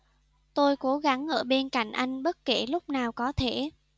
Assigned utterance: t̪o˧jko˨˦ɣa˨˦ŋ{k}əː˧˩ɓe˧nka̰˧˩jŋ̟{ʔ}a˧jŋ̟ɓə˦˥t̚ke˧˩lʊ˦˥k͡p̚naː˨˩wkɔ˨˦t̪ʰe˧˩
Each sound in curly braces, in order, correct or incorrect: incorrect: ʔ, correct

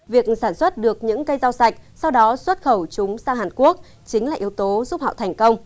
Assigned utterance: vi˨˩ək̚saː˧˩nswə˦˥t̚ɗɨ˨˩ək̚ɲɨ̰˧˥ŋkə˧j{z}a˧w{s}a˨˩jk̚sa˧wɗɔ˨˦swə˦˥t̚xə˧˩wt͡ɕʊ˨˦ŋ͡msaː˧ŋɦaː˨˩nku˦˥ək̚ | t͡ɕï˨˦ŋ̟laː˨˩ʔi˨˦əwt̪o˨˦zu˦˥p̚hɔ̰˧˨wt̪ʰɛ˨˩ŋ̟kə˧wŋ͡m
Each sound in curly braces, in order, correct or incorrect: correct, correct

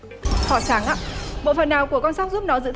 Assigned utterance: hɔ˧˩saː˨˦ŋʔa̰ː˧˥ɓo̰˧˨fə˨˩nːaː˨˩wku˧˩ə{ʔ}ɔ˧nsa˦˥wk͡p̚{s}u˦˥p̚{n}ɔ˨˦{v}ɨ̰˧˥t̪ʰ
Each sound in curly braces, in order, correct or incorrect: incorrect: k, incorrect: z, correct, incorrect: z

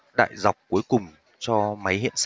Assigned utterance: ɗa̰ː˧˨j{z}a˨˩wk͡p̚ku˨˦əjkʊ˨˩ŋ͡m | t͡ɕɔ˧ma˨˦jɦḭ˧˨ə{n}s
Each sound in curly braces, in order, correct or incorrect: correct, correct

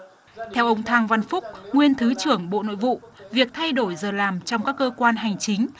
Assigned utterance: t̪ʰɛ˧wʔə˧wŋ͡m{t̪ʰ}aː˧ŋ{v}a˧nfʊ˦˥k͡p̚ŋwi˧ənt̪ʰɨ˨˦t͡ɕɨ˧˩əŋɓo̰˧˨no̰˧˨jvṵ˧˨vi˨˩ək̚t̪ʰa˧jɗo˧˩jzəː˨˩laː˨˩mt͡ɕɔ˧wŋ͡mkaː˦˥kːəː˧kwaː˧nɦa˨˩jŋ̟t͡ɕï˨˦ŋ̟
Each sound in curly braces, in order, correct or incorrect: correct, correct

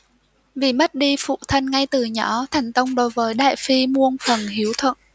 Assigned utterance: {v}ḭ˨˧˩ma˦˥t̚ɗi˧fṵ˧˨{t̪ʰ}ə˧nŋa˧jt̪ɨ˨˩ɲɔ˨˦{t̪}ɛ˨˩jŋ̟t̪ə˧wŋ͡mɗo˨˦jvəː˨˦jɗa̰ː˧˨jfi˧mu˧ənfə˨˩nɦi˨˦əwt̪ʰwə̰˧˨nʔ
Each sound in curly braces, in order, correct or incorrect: correct, correct, incorrect: t̪ʰ

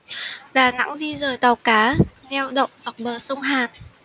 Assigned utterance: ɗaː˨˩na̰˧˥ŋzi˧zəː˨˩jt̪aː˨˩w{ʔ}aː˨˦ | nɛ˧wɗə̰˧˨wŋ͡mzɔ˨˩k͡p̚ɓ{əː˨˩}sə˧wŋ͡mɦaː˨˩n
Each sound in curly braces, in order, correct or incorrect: incorrect: k, correct

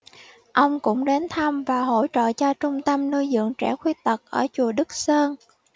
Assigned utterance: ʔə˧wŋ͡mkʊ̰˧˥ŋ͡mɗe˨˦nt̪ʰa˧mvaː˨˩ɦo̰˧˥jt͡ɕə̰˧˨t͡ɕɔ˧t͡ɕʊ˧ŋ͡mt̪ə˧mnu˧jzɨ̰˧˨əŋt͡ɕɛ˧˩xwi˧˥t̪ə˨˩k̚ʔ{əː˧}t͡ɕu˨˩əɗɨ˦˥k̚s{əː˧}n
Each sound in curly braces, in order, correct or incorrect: incorrect: əː˧˩, correct

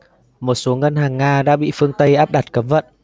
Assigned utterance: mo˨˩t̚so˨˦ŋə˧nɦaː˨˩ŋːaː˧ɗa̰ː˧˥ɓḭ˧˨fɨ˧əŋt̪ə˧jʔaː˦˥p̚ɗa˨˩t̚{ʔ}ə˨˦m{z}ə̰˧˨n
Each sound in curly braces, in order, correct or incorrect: incorrect: k, incorrect: v

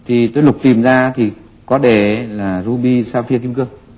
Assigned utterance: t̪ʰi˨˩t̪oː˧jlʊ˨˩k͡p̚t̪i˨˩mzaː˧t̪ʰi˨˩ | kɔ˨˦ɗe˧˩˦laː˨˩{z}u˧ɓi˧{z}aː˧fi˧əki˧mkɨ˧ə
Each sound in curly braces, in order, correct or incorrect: correct, incorrect: s

